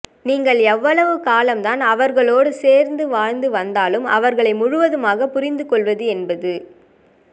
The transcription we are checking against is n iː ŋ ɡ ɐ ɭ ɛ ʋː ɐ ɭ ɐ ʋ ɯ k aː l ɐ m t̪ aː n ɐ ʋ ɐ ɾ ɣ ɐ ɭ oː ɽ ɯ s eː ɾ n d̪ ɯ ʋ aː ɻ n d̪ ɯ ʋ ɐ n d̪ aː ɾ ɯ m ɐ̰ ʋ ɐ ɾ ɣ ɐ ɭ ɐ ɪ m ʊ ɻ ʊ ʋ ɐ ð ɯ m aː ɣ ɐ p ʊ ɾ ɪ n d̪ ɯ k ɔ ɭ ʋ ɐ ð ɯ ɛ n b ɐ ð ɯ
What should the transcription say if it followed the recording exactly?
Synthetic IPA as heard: n iː ŋ ɡ ɐ ɭ ɛ ʋː ɐ ɭ ɐ ʋ ɯ k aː l ɐ m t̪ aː n ɐ ʋ ɐ ɾ ɣ ɐ ɭ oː ɽ ɯ s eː ɾ n d̪ ɯ ʋ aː ɻ n d̪ ɯ ʋ ɐ n d̪ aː l ɯ m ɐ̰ ʋ ɐ ɾ ɣ ɐ ɭ ɐ ɪ m ʊ ɻ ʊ ʋ ɐ ð ɯ m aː ɣ ɐ p ʊ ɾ ɪ n d̪ ɯ k ɔ ɭ ʋ ɐ ð ɯ ɛ n b ɐ ð ɯ